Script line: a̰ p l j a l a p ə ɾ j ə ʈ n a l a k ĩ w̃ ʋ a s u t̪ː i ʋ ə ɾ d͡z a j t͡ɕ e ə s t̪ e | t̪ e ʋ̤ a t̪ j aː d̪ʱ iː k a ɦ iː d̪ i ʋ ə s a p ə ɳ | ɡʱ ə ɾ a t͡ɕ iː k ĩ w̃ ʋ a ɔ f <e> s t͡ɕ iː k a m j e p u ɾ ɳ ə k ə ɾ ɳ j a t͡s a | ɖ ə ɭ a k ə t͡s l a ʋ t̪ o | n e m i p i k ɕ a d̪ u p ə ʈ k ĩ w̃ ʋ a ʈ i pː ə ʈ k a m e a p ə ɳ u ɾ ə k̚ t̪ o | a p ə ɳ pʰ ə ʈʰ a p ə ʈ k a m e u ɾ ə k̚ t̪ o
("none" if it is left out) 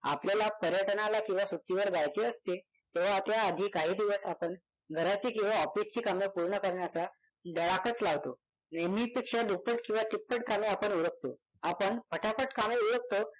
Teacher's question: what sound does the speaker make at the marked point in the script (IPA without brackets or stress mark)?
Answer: i